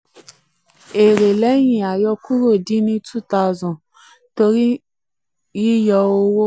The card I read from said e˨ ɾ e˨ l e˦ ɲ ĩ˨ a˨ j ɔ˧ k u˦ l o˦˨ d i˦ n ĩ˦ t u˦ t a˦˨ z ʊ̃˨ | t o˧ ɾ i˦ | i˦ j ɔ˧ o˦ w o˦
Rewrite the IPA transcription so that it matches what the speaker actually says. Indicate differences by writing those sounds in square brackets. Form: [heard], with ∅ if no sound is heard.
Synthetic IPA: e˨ ɾ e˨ l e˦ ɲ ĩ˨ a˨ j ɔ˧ k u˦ [ɾ] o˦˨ d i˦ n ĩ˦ t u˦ t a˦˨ z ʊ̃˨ | t o˧ ɾ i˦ | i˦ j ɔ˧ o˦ w o˦